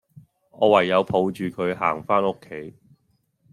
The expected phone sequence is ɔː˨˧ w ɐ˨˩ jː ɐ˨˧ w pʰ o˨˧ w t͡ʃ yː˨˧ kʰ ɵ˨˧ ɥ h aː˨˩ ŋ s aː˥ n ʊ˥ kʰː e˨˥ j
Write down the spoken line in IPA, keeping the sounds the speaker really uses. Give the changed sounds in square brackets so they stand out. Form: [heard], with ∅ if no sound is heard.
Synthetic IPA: ɔː˨˧ w ɐ˨˩ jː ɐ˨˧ w pʰ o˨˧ w t͡ʃ yː˨˧ kʰ ɵ˨˧ ɥ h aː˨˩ ŋ [f] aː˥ n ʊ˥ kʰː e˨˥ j